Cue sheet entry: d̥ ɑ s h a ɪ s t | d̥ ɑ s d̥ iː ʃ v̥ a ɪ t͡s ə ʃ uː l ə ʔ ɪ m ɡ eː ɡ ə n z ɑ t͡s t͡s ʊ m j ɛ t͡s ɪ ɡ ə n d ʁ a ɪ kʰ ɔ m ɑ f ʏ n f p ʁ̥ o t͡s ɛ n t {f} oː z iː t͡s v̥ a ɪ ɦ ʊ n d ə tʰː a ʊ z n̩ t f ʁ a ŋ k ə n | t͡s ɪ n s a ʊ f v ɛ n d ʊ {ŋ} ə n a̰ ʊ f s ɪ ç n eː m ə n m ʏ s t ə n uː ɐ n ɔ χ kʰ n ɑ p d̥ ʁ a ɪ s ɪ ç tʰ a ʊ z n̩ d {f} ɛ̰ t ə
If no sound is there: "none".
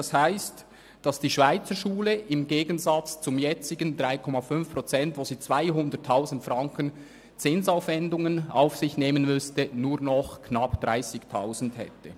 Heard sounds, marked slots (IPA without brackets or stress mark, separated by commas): v, ŋ, h